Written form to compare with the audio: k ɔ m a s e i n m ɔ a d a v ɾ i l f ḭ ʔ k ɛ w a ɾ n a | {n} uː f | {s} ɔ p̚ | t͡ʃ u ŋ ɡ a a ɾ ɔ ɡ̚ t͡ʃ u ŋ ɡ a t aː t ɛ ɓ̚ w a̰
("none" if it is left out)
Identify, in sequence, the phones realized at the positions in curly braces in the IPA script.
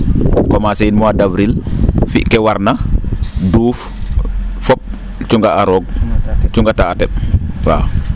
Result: d, f

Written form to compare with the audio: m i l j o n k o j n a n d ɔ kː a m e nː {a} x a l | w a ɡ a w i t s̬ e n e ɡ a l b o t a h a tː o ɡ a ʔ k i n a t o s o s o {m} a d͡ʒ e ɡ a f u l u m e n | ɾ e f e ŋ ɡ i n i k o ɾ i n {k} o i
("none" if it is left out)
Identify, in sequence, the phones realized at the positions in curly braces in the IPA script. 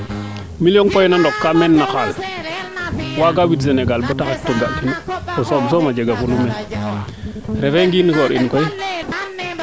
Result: a, m, k

